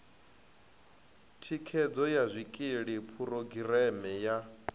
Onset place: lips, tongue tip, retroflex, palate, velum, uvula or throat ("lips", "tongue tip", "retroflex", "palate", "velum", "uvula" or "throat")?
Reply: tongue tip